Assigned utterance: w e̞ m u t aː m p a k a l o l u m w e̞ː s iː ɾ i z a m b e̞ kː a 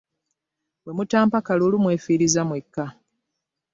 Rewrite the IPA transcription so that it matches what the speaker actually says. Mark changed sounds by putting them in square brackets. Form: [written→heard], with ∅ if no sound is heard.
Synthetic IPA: w e̞ m u t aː m p a k a l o l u m w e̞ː [s→f] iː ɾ i z a m [b→w] e̞ kː a